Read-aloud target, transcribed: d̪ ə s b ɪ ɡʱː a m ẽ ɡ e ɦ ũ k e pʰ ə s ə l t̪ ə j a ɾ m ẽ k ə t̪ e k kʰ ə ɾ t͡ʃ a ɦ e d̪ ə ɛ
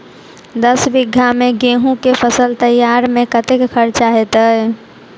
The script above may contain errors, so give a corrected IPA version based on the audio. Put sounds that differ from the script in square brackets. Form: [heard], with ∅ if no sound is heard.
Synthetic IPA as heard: d̪ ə s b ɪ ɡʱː a m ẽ ɡ e ɦ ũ k e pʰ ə s ə l t̪ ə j a ɾ m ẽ k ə t̪ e k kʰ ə ɾ t͡ʃ a ɦ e [t̪] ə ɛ